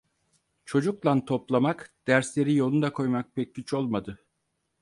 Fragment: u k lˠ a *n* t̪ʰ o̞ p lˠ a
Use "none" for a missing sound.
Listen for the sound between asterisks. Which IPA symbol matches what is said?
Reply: n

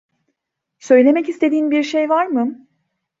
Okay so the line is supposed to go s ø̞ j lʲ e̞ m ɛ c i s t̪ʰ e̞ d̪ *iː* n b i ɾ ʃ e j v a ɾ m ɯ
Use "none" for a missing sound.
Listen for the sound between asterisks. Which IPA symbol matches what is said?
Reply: iː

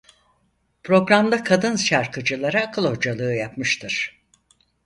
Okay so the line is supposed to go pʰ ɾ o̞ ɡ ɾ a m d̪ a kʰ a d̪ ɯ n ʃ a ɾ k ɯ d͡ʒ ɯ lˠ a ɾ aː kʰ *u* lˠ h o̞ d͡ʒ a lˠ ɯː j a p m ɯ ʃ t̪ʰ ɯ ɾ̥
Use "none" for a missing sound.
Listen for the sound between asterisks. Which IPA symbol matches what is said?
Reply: ɯ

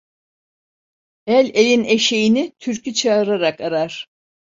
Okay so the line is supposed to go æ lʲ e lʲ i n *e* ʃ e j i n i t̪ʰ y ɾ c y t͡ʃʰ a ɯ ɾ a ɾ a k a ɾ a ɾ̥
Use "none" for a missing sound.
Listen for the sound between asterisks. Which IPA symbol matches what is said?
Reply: e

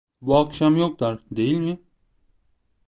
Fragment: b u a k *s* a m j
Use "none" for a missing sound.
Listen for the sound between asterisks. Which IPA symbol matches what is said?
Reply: ʃ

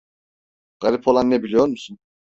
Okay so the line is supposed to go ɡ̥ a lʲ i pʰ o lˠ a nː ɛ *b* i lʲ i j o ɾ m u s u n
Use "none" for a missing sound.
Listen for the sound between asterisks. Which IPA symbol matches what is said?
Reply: b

